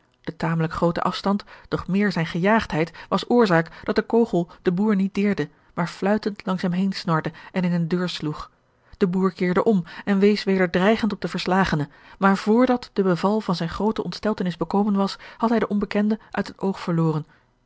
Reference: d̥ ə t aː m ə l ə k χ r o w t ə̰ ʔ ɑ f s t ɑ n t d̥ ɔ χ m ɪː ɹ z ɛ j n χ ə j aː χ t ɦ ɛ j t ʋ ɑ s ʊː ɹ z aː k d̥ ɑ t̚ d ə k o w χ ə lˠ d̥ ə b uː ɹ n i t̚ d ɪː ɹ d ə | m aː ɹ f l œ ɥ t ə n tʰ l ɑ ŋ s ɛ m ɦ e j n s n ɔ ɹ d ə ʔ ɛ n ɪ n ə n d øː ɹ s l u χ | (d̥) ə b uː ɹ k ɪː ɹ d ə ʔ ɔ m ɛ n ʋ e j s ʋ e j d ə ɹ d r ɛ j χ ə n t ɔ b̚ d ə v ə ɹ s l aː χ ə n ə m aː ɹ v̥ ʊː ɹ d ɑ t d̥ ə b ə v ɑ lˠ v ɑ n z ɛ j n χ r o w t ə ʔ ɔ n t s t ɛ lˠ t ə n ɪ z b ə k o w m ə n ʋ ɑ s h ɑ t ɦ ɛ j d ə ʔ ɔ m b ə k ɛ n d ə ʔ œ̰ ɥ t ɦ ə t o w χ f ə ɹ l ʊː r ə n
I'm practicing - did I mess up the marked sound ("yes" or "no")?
no